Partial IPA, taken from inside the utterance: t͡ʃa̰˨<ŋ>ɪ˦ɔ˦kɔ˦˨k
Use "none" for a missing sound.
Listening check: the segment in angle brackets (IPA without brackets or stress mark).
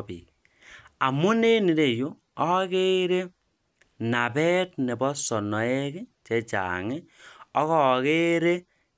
ŋ